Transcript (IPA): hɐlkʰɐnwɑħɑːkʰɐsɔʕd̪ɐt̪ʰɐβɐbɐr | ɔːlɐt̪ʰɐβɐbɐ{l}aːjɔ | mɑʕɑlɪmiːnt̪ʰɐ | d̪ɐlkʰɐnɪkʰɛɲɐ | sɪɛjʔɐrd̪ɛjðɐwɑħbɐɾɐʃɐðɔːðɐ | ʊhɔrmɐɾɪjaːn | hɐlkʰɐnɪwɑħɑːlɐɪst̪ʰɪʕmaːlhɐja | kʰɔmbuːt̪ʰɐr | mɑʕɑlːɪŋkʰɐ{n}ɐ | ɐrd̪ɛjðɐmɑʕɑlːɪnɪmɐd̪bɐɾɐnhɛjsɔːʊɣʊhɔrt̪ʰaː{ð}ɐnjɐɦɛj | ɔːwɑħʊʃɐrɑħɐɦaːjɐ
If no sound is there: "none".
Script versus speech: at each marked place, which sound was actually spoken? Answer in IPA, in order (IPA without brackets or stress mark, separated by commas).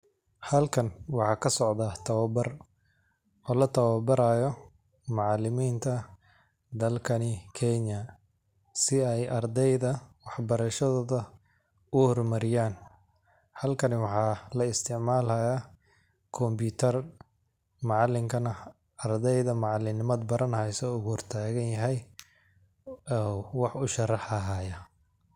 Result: ɾ, n, ɣ